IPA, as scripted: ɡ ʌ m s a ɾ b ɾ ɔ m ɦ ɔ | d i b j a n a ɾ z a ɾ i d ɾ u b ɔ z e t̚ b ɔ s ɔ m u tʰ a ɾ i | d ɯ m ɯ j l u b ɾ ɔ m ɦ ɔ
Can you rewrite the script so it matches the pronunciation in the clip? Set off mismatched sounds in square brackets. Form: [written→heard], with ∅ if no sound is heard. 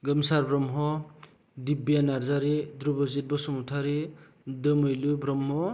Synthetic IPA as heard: ɡ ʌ m s a ɾ b ɾ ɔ m ɦ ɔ | d i b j a n a ɾ z a ɾ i d ɾ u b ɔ z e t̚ b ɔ s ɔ m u tʰ a ɾ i | d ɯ m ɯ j l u b ɾ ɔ m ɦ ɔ